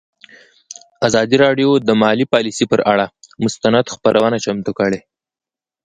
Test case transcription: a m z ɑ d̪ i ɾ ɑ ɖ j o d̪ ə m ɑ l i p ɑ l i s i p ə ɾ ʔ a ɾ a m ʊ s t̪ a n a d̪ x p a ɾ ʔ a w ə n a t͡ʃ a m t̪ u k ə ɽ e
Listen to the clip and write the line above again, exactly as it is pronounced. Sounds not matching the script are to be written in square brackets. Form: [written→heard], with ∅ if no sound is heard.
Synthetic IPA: a [m→∅] z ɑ d̪ i ɾ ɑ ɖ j o d̪ ə m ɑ l i p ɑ l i s i p ə ɾ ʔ a [ɾ→ɽ] a m ʊ s t̪ a n a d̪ x p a ɾ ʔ a w ə n a t͡ʃ a m t̪ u k ə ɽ e